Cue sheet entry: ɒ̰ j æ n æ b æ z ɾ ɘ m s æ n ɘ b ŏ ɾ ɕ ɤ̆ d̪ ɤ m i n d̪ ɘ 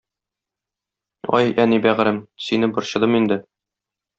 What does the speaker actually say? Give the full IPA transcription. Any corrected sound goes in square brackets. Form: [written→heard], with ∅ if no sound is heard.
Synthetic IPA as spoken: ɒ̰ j æ n [æ→i] b æ [z→ʁ] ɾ ɘ m s [æ→i] n ɘ b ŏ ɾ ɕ ɤ̆ d̪ ɤ m i n d̪ ɘ